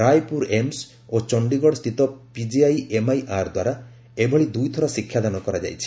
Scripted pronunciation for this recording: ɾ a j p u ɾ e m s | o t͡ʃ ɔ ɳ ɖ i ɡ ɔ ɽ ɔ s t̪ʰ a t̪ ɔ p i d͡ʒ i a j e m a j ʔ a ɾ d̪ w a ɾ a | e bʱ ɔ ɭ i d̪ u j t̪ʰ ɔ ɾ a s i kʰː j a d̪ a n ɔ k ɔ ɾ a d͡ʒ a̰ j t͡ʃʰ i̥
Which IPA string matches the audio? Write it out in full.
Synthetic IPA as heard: ɾ a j p u ɾ e m s | o t͡ʃ ɔ ɳ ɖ i ɡ ɔ ɽ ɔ s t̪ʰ i t̪ ɔ p i d͡ʒ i a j e m a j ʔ a ɾ d̪ w a ɾ a | e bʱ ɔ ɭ i d̪ u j t̪ʰ ɔ ɾ a s i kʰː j a d̪ a n ɔ k ɔ ɾ a d͡ʒ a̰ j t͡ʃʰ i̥